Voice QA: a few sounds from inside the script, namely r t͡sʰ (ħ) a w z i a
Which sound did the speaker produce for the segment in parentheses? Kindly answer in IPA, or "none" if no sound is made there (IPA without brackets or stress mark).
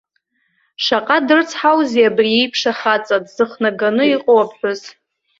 ħ